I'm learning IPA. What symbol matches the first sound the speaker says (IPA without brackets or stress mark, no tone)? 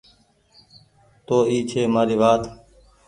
t̪